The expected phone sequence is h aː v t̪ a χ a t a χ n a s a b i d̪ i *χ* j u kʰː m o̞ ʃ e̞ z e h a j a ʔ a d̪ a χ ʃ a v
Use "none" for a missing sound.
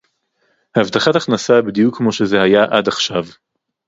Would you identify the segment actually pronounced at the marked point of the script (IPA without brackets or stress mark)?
none